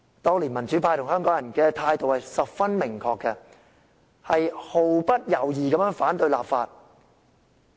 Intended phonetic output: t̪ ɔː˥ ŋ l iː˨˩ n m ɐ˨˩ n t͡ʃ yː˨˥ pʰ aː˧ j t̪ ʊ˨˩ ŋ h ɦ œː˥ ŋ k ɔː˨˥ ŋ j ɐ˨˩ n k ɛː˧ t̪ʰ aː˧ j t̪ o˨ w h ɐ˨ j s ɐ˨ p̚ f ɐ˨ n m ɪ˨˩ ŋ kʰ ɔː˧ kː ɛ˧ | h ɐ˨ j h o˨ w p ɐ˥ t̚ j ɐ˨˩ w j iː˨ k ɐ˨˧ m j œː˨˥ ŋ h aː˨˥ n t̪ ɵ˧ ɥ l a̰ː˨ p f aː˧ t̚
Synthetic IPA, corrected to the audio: t̪ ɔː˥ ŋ l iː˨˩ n m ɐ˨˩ n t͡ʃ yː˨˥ pʰ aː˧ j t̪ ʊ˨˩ ŋ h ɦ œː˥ ŋ k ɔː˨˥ ŋ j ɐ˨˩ n k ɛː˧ t̪ʰ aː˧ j t̪ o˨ w h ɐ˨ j s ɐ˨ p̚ f ɐ˥ n m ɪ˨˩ ŋ kʰ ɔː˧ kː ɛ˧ | h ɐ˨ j h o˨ w p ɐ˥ t̚ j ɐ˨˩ w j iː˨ k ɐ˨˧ m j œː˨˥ ŋ f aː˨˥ n t̪ ɵ˧ ɥ l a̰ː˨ p f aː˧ t̚